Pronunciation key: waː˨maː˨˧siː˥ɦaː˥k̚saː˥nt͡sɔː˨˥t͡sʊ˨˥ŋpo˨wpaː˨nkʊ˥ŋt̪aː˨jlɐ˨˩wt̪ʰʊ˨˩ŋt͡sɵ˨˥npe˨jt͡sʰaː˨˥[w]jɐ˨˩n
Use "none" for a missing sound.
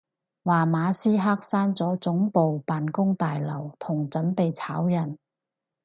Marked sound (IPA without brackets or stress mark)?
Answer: w